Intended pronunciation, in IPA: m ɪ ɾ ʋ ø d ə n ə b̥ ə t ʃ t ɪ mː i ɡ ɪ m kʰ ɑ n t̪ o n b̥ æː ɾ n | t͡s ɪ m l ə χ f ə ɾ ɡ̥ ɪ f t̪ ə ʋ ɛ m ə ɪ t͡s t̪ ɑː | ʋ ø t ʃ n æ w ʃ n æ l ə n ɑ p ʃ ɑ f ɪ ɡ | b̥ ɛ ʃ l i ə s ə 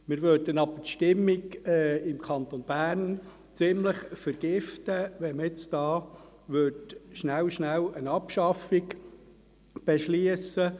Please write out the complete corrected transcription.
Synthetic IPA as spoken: m ɪ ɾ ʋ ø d ə n ɑ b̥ ə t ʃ t ɪ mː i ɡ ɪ m kʰ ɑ n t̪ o n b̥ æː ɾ n | t͡s ɪ m l ə χ f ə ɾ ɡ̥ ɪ f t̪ ə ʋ ɛ m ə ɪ t͡s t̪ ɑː | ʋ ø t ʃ n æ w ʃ n æ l ə n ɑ p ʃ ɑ f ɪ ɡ | b̥ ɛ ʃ l i ə s ə